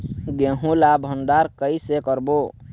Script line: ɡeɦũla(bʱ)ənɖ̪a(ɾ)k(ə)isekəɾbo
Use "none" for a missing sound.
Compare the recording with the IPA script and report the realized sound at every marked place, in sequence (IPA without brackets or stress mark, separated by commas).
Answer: bʱ, ɾ, ə